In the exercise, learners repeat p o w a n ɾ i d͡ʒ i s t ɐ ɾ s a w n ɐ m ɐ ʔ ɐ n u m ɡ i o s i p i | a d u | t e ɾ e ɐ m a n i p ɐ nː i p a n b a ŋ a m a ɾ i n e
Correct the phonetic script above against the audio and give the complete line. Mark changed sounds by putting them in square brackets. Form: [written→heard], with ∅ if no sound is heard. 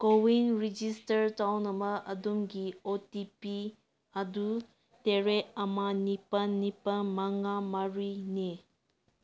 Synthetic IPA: [p→k] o w [a→i] n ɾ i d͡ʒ i s t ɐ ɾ [s→t] a w n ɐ m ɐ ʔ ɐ [n→d] u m ɡ i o [s→t] i p i | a d u | t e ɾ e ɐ m a n i p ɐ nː i p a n [b→m] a ŋ a m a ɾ i n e